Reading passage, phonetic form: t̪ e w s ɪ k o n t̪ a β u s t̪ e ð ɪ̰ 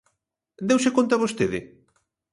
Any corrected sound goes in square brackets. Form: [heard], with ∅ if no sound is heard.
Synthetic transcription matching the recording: [d̪] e w s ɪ k o n t̪ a β [o] s t̪ e ð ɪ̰